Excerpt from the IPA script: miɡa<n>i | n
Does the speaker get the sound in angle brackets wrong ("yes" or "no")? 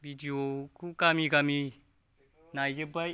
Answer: yes